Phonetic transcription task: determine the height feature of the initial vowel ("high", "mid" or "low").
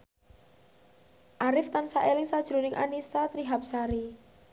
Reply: low